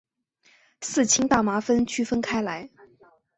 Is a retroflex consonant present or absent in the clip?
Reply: absent